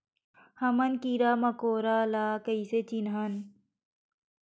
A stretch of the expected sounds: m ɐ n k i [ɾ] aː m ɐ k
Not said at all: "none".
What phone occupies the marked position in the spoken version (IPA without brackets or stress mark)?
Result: ɾ